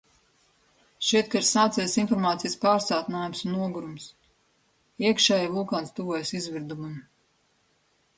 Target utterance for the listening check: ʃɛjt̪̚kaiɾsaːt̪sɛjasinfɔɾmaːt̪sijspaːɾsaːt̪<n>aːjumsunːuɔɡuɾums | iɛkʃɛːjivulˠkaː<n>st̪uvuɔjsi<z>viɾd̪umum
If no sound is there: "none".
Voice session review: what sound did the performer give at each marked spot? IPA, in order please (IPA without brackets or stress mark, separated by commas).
n, n, z